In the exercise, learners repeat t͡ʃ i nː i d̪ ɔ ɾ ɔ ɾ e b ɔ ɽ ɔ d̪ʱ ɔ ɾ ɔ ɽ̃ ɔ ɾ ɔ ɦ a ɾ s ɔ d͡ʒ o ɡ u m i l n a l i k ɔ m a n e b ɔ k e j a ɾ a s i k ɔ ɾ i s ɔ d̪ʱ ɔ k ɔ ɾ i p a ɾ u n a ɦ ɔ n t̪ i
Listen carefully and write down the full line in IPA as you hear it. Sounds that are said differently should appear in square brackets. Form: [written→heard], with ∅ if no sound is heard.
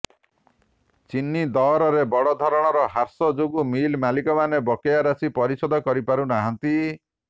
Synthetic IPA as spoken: t͡ʃ i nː i d̪ ɔ ɾ ɔ ɾ e b ɔ ɽ ɔ d̪ʱ ɔ ɾ ɔ ɽ̃ ɔ ɾ ɔ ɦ a ɾ s ɔ d͡ʒ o ɡ u m i l [n→m] a l i k ɔ m a n e b ɔ k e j a ɾ a s i [k→p] ɔ ɾ i s ɔ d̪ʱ ɔ k ɔ ɾ i p a ɾ u n a ɦ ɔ n t̪ i

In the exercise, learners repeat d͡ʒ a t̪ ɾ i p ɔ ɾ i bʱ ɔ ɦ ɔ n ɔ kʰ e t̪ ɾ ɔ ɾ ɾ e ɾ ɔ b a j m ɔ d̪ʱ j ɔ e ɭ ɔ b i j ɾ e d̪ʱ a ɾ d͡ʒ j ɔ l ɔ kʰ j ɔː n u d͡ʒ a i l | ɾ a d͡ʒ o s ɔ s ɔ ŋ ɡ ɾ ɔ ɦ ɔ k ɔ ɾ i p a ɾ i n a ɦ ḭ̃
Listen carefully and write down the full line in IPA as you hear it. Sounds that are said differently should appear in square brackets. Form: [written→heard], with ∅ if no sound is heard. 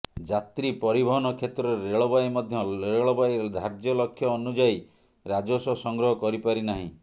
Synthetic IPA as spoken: d͡ʒ a t̪ ɾ i p ɔ ɾ i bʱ ɔ ɦ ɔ n ɔ kʰ e t̪ ɾ ɔ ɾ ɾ e [ɾ→ɭ] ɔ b a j m ɔ d̪ʱ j ɔ e ɭ ɔ b [i→a] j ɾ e d̪ʱ a ɾ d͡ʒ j ɔ l ɔ kʰ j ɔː n u d͡ʒ a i [l→∅] | ɾ a d͡ʒ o s ɔ s ɔ ŋ ɡ ɾ ɔ ɦ ɔ k ɔ ɾ i p a ɾ i n a ɦ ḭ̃

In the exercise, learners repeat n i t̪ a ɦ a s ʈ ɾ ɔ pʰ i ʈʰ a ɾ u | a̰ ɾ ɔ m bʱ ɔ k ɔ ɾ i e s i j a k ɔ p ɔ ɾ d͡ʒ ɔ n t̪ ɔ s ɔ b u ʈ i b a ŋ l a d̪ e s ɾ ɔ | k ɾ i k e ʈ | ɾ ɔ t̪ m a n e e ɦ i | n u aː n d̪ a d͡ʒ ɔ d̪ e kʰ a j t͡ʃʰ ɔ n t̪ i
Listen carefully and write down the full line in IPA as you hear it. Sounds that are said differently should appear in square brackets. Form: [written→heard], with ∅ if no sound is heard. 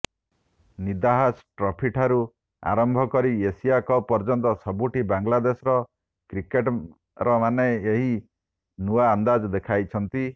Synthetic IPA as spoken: n i [t̪→d̪] a ɦ a s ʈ ɾ ɔ pʰ i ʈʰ a ɾ u | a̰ ɾ ɔ m bʱ ɔ k ɔ ɾ i e s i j a k ɔ p ɔ ɾ d͡ʒ ɔ n t̪ ɔ s ɔ b u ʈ i b a ŋ l a d̪ e s ɾ ɔ | k ɾ i k e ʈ | ɾ ɔ [t̪→∅] m a n e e ɦ i | n u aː n d̪ a d͡ʒ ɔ d̪ e kʰ a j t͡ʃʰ ɔ n t̪ i

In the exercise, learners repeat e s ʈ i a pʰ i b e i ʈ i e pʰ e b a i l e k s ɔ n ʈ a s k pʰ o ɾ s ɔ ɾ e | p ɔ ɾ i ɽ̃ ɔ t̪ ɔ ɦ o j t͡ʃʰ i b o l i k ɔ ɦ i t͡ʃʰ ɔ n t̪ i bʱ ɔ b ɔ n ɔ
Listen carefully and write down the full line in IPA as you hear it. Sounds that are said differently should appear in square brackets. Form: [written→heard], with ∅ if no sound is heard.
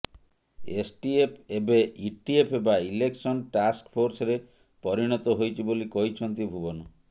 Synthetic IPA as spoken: e s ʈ i [a→e] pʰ [i→e] b e i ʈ i e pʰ e b a i l e k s ɔ n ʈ a s k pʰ o ɾ s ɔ ɾ e | p ɔ ɾ i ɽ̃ ɔ t̪ ɔ ɦ o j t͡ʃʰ i b o l i k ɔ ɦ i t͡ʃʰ ɔ n t̪ i bʱ [ɔ→u] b ɔ n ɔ

